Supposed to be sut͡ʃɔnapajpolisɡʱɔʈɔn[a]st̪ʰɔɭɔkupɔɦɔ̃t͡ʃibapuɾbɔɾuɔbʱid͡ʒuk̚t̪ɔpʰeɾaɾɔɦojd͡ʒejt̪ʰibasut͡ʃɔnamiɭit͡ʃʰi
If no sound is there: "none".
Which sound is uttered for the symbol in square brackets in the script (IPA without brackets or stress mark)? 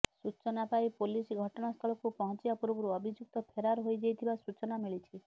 a